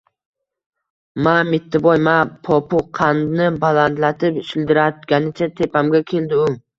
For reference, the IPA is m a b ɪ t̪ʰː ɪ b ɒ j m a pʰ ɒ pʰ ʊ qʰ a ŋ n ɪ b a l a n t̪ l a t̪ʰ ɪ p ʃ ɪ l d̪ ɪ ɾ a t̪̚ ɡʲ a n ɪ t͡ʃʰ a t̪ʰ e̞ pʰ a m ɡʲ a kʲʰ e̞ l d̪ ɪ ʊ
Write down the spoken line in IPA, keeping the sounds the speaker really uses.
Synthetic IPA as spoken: m a m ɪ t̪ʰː ɪ b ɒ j m a pʰ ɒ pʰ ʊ qʰ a n n ɪ b a l a n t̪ l a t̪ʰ ɪ p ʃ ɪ l d̪ ɪ ɾ a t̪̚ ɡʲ a n ɪ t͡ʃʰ a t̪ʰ e̞ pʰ a m ɡʲ a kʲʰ e̞ l d̪ ɪ ʊ